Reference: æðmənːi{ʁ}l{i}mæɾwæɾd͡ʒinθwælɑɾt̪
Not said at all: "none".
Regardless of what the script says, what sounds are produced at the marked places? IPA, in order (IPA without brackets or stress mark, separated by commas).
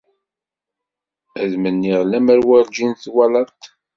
ʁ, æ